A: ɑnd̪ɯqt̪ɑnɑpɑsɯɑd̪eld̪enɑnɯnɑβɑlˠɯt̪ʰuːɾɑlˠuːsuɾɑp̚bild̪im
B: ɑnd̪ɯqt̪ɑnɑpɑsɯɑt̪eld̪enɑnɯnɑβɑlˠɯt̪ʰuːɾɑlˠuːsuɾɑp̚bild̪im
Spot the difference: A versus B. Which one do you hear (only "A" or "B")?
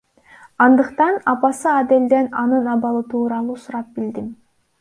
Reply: A